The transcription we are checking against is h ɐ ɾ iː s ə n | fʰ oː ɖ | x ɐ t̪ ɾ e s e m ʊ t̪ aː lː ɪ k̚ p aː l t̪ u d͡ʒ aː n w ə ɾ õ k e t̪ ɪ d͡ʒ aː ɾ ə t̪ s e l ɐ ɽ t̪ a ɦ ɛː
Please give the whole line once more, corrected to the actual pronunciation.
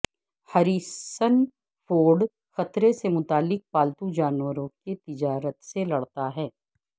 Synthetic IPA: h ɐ ɾ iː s ə n | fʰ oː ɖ | x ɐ t̪ ɾ e s e m ʊ t̪ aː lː ɪ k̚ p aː l t̪ u d͡ʒ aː n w ə ɾ õ k e t̪ ɪ d͡ʒ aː ɾ ə t̪ s e l ɐ ɽ t̪ a ɦ ɛː